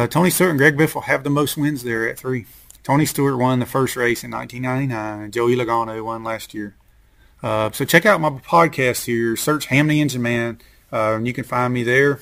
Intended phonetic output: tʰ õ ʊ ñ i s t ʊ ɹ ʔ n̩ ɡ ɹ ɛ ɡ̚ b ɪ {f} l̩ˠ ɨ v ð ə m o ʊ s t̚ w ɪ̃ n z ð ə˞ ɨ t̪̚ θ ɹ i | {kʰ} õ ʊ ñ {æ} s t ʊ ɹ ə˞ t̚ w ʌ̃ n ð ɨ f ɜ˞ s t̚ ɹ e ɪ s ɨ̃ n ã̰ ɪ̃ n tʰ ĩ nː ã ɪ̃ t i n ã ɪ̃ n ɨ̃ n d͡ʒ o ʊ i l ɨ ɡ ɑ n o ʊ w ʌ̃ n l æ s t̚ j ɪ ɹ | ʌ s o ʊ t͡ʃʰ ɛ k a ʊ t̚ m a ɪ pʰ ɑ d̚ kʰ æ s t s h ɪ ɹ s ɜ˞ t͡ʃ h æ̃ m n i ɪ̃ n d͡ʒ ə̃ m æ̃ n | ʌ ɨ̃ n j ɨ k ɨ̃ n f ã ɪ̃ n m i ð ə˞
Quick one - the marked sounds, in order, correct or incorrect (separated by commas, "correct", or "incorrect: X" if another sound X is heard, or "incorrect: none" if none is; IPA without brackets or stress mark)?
correct, incorrect: tʰ, incorrect: i